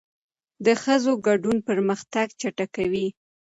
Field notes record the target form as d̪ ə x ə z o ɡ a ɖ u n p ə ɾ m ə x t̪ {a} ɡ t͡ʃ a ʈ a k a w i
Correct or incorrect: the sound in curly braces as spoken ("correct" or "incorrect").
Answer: correct